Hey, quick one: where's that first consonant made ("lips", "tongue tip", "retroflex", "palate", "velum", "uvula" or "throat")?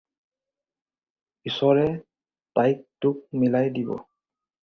tongue tip